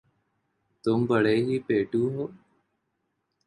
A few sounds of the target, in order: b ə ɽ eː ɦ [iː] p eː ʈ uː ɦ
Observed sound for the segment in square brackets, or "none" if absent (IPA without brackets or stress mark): iː